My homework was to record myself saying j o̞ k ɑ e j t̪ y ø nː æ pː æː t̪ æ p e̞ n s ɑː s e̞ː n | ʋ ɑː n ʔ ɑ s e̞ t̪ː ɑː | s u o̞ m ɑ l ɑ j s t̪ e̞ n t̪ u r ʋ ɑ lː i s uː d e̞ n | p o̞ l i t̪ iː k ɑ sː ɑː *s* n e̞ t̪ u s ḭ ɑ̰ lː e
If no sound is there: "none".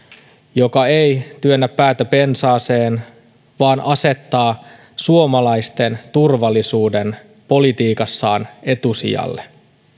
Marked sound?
none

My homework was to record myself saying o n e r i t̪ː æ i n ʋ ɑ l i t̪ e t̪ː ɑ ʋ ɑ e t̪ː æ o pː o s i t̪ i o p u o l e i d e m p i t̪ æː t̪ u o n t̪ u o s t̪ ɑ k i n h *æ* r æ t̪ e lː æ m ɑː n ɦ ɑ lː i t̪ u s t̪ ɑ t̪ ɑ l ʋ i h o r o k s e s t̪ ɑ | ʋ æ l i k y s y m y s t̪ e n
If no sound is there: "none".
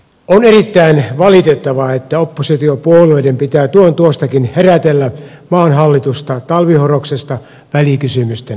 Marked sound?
e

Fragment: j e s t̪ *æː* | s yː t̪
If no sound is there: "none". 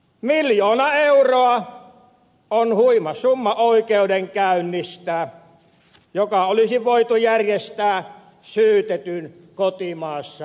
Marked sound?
æː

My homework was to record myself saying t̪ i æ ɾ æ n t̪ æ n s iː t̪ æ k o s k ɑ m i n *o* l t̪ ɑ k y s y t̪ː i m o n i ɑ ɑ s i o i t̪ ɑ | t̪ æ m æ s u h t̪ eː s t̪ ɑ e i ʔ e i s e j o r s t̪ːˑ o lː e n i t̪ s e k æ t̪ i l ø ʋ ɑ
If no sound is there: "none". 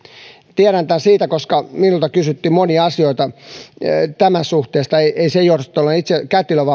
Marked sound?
u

